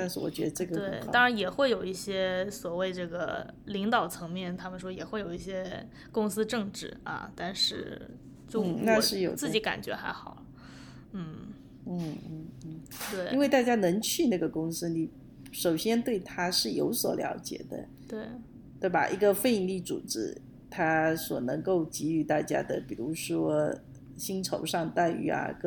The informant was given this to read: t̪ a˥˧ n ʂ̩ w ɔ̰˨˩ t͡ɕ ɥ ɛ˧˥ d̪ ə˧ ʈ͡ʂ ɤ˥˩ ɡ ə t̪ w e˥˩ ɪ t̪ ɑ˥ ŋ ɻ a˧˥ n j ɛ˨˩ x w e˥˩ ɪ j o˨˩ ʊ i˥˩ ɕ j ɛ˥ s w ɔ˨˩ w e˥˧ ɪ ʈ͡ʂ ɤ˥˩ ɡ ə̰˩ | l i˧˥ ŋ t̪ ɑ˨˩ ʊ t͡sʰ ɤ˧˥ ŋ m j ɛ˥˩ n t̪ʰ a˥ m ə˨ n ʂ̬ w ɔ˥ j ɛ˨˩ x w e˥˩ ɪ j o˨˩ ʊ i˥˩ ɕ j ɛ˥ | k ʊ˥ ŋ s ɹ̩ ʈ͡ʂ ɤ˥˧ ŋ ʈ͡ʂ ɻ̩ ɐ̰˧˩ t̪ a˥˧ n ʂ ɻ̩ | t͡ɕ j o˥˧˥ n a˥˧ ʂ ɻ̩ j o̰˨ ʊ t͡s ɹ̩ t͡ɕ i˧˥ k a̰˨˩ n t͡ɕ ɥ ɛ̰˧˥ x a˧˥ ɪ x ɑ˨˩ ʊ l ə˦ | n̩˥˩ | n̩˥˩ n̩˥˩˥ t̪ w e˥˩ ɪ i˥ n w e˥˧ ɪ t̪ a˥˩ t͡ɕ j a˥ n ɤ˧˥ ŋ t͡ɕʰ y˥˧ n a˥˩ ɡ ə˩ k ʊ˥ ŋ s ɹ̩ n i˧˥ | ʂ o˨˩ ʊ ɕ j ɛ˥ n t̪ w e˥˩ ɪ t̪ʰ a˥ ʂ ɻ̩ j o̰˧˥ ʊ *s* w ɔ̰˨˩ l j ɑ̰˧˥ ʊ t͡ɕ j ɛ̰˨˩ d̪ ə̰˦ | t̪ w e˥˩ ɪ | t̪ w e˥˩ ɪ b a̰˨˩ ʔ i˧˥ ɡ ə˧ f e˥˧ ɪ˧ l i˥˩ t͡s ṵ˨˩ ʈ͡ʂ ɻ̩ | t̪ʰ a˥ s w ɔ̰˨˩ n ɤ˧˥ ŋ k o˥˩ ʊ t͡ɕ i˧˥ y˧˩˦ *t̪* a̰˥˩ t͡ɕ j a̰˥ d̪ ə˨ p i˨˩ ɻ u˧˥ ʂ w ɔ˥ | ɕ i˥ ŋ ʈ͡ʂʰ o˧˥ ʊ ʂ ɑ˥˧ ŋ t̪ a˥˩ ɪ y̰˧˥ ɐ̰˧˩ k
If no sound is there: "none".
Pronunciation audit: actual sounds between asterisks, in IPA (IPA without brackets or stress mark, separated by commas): s, t̪